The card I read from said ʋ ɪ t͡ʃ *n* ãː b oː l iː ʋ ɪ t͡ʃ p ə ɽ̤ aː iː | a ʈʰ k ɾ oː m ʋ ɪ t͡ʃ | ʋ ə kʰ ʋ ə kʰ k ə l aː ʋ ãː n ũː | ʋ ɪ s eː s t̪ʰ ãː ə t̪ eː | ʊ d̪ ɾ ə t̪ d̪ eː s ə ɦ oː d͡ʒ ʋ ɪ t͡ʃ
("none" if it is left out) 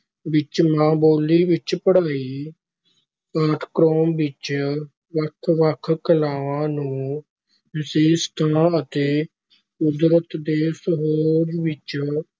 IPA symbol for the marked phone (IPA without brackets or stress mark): m